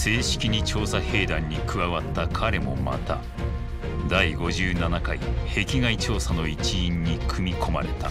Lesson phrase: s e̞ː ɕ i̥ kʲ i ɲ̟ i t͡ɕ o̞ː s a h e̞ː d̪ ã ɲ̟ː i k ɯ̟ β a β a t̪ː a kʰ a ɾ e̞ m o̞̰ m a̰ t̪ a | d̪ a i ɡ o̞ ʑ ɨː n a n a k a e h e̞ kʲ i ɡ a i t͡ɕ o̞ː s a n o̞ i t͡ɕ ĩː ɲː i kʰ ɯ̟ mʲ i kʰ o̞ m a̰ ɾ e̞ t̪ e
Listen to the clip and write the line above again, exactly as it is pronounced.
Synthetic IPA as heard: s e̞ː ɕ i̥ kʲ i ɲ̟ i t͡ɕ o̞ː s a h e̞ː d̪ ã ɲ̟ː i k ɯ̟ β a β a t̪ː a kʰ a ɾ e̞ m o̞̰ m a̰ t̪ a | d̪ a i ɡ o̞ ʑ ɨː n a n a k a i h e̞ kʲ i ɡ a i t͡ɕ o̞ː s a n o̞ i t͡ɕ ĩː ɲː i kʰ ɯ̟ mʲ i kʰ o̞ m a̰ ɾ e̞ t̪ a

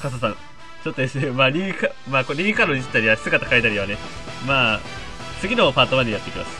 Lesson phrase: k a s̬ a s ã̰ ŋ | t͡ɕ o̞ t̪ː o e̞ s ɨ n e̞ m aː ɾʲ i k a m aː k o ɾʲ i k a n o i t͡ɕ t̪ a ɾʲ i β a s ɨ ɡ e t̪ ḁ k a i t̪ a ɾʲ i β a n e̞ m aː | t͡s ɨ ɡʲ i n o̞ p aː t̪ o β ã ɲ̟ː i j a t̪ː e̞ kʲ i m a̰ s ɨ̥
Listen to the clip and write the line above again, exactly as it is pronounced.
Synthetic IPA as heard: k a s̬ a s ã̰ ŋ | t͡ɕ o̞ t̪ː o e̞ s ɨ n e̞ m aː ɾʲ i k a m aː k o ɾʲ i k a n o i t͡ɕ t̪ a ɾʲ i β a s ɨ ɡ a t̪ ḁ k a i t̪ a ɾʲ i β a n e̞ m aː | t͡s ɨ ɡʲ i n o̞ p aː t̪ o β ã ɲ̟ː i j a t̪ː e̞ kʲ i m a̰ s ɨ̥

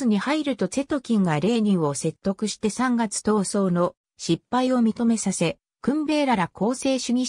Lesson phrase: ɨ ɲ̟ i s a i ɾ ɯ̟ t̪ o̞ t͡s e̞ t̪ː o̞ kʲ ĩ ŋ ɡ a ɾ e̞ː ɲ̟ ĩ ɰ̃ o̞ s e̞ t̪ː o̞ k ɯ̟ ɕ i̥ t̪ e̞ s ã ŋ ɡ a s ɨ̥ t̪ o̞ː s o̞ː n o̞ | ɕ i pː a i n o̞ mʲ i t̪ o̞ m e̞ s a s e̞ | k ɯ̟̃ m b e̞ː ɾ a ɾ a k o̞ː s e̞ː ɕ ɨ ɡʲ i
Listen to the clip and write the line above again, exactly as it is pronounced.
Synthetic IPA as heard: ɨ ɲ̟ i h a i ɾ ɯ̟ t̪ o̞ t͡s e̞ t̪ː o̞ kʲ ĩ ŋ ɡ a ɾ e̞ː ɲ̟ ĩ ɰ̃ o̞ s e̞ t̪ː o̞ k ɯ̟ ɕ i̥ t̪ e̞ s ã ŋ ɡ a t͡s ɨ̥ t̪ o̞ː s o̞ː n o̞ | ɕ i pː a i o̞ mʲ i t̪ o̞ m e̞ s a s e̞ | k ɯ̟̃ m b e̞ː ɾ a ɾ a k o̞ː s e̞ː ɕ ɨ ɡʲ i

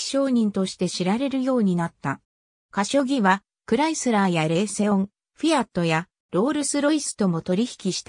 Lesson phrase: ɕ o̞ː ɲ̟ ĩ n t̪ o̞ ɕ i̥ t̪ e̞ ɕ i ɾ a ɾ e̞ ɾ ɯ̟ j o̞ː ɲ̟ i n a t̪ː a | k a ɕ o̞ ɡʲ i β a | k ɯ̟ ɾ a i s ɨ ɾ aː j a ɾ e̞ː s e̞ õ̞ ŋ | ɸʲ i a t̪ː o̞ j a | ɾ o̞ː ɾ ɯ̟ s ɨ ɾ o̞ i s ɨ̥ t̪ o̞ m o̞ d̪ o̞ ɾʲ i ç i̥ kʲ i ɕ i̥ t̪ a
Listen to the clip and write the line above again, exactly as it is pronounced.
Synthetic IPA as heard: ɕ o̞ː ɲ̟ ĩ n t̪ o̞ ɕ i̥ t̪ e̞ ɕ i ɾ a ɾ e̞ ɾ ɯ̟ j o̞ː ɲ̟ i n a t̪ː a | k a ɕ o̞ ɡʲ i β a | k ɯ̟ ɾ a i s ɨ ɾ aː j a ɾ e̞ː s e̞ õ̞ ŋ | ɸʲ i a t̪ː o̞ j a | ɾ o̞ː ɾ ɯ̟ s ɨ ɾ o̞ i s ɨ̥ t̪ o̞ m o̞ t̪ o̞ ɾʲ i ç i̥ kʲ i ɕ i̥ t̪ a

